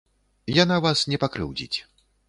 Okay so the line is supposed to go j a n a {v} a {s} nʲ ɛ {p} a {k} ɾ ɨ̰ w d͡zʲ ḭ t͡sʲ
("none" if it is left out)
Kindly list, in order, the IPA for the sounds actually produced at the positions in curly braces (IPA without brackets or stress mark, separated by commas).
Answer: v, s, p, k